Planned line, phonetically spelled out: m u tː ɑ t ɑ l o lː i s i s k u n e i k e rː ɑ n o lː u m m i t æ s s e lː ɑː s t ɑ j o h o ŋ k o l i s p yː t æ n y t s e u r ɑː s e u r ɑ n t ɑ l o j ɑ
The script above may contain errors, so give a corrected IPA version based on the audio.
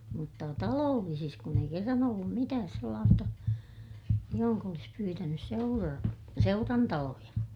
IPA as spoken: m u tː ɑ t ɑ l oː lː i s i s k u n e i k e rː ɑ n o lː u m m i t æː s s e lː ɑː s t ɑ j o h o ŋ k o l i s p yː t æ n y s s e u r ɑ s e u r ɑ n t ɑ l o j ɑ